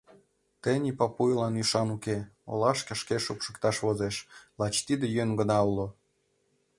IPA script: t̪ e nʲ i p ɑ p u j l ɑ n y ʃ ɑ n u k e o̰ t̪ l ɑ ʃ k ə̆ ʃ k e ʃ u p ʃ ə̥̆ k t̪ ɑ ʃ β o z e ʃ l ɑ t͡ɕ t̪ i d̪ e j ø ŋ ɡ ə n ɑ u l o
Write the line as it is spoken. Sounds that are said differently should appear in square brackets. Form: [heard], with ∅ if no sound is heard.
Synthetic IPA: t̪ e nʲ i p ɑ p u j l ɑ n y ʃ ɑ n u k e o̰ [∅] l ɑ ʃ k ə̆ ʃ k e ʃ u p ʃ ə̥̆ k t̪ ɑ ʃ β o z e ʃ l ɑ t͡ɕ t̪ i d̪ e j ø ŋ ɡ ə n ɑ u l o